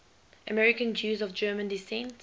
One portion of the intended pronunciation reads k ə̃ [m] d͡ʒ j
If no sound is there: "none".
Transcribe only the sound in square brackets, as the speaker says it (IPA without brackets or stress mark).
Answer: n